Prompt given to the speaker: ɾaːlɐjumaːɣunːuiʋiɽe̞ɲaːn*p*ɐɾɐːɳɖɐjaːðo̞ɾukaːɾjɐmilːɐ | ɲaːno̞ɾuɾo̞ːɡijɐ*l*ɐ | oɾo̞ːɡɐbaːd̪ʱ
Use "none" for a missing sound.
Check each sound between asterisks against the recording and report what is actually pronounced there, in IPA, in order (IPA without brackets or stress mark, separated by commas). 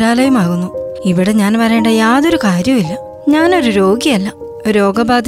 p, lː